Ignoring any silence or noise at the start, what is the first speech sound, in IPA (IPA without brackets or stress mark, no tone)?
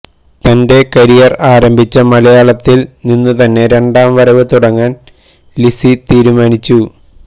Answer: t̪